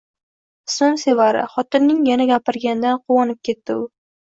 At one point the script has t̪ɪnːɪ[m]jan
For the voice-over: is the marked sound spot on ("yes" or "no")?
no